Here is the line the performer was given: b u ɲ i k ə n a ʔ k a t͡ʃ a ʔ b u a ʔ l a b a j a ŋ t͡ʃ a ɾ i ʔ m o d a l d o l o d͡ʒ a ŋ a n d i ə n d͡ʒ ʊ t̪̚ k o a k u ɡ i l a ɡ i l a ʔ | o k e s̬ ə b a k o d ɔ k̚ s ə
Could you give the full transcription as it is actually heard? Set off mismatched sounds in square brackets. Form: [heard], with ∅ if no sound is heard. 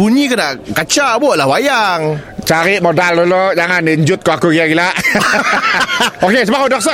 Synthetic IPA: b u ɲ i k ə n a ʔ k a t͡ʃ a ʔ b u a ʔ l a [w] a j a ŋ t͡ʃ a ɾ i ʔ m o d a l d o l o d͡ʒ a ŋ a n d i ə [ɲ] d͡ʒ ʊ t̪̚ k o a k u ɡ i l a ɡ i l a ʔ | o k e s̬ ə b a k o d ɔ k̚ s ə